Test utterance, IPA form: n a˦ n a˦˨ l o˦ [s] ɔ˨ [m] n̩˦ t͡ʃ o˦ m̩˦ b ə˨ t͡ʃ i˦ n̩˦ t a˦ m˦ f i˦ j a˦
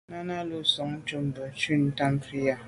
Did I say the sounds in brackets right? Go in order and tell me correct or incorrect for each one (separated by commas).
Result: correct, incorrect